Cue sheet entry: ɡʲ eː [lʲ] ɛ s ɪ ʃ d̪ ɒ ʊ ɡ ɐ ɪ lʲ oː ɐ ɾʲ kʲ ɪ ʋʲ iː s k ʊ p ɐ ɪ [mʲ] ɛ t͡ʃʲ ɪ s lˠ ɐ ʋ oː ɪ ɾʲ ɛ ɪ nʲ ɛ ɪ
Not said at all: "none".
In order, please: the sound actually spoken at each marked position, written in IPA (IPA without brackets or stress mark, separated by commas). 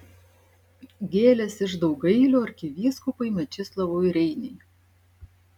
lʲ, mʲ